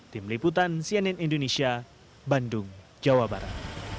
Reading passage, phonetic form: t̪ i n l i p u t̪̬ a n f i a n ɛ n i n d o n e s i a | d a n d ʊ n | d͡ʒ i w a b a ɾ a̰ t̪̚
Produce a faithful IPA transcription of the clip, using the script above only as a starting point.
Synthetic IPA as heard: t̪ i m l i p u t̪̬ a n s i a n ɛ n i n d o n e s i a | b a n d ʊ ŋ | d͡ʒ a w a b a ɾ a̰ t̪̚